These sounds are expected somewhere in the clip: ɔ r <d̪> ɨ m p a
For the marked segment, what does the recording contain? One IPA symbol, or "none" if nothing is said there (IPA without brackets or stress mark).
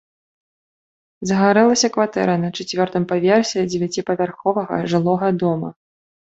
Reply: t̪